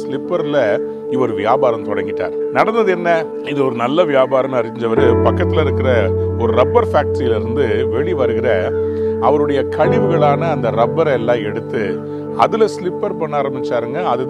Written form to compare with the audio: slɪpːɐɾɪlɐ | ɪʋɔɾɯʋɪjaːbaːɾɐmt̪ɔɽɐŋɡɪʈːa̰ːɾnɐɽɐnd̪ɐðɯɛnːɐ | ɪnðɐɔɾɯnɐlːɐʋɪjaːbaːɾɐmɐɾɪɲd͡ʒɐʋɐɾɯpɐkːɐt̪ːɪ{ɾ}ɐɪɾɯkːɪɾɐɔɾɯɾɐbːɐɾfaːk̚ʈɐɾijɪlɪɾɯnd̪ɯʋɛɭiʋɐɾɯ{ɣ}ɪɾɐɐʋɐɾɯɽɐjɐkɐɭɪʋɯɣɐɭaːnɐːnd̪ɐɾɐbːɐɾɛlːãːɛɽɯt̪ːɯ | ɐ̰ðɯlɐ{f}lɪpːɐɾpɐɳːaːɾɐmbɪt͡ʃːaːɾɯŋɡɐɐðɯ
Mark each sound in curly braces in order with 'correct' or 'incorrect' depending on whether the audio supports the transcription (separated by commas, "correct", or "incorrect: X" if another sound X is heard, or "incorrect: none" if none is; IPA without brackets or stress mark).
incorrect: l, correct, incorrect: s